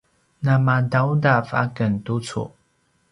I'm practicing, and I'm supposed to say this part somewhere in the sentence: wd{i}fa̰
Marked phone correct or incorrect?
incorrect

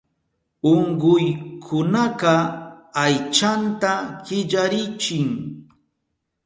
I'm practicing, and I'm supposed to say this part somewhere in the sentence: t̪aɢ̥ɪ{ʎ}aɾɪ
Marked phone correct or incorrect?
correct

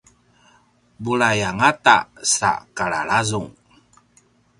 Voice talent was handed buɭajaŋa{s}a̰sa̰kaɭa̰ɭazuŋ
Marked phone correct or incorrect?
incorrect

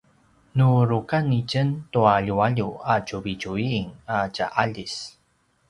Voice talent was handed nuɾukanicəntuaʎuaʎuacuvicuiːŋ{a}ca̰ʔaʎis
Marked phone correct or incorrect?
correct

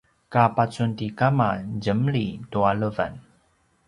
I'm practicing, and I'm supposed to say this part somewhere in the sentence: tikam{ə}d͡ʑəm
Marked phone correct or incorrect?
incorrect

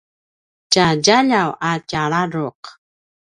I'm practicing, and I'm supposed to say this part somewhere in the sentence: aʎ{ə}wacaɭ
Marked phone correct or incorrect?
incorrect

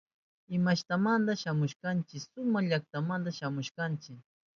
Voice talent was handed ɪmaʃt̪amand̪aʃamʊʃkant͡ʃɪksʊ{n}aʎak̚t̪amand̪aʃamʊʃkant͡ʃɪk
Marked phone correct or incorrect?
incorrect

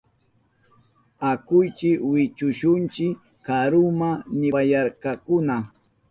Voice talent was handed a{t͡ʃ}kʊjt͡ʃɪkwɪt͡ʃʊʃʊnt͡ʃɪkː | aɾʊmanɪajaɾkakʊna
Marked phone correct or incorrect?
incorrect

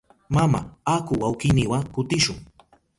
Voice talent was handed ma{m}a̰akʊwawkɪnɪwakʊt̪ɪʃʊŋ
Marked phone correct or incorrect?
correct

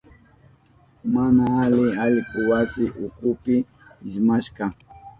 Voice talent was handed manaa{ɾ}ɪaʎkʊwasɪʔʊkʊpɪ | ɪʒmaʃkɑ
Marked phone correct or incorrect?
incorrect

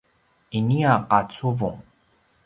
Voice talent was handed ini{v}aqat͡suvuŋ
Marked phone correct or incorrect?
incorrect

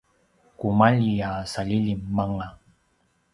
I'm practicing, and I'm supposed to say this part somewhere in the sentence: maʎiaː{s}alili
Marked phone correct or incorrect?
correct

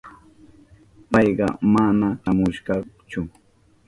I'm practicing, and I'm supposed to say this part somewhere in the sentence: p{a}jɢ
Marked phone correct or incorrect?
incorrect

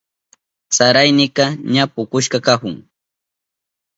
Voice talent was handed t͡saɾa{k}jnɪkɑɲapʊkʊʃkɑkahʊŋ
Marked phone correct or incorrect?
incorrect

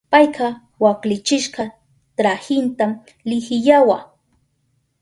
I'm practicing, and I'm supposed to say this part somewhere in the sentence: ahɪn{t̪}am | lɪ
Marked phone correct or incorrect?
correct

